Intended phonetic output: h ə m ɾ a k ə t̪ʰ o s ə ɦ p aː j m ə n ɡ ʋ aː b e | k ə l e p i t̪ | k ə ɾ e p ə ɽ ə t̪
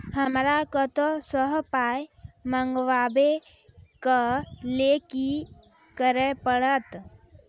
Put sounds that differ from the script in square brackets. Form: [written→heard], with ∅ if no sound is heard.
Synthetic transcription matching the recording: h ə m ɾ a k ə [t̪ʰ→t̪] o s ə ɦ p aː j m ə [n→ŋ] ɡ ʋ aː b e | k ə l e [p→k] i [t̪→∅] | k ə ɾ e p ə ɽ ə t̪